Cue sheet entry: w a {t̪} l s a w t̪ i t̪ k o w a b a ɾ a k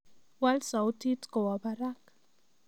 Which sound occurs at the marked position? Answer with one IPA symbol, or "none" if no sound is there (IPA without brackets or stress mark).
none